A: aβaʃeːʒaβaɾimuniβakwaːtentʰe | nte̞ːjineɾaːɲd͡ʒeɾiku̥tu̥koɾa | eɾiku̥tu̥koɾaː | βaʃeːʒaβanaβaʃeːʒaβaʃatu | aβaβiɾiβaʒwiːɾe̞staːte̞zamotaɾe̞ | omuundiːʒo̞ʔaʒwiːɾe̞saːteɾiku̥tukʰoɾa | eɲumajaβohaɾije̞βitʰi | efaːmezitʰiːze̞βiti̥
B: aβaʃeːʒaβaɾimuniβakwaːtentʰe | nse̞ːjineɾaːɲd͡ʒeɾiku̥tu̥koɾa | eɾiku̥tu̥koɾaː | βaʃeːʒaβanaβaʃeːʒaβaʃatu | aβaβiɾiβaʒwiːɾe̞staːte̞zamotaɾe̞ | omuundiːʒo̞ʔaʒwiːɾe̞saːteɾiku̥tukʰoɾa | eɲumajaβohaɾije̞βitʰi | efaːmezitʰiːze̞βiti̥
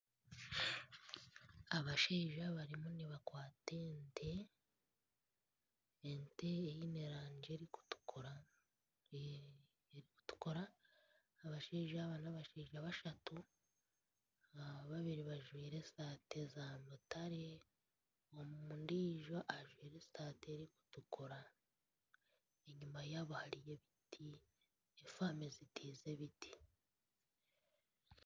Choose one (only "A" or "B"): A